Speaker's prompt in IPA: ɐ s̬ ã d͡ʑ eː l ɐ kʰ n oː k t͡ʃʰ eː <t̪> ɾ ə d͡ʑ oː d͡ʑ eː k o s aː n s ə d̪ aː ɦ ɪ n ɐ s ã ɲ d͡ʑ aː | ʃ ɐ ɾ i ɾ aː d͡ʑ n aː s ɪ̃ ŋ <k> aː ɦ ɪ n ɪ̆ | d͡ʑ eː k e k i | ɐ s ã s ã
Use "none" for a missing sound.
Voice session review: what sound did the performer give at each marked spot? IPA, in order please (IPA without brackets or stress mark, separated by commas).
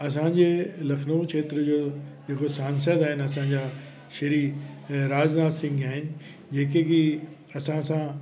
t̪, ɡ